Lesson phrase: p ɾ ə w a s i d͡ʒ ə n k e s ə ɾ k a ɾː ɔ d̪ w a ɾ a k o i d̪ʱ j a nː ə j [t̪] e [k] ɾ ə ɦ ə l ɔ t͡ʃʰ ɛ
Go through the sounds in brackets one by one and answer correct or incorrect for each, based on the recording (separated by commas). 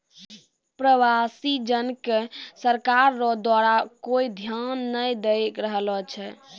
incorrect, correct